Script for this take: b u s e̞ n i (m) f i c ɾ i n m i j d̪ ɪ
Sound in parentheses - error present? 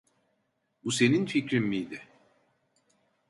yes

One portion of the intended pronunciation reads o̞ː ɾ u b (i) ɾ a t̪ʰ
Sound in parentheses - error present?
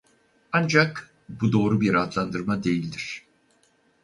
no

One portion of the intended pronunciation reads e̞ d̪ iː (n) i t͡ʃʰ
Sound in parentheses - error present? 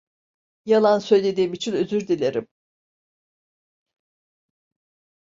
yes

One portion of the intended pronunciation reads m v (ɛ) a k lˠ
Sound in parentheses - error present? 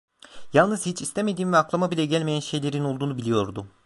no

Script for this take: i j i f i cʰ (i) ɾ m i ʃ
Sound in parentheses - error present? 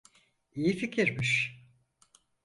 no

